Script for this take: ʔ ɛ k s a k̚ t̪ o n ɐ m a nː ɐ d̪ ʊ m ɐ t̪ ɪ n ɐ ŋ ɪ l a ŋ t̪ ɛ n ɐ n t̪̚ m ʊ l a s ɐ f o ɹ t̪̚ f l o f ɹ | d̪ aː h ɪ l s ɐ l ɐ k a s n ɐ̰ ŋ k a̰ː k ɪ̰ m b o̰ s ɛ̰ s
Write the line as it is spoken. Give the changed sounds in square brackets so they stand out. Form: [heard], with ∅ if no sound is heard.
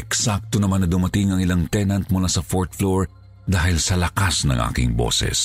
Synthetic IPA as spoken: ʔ ɛ k s a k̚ t̪ o n ɐ m a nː ɐ d̪ ʊ m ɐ t̪ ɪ [ŋ] ɐ ŋ ɪ l a ŋ t̪ ɛ n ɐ n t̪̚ m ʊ l a s ɐ f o ɹ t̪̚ f l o [∅] ɹ | d̪ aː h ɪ l s ɐ l ɐ k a s n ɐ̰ ŋ [ʔ] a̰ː k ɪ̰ [ŋ] b o̰ s ɛ̰ s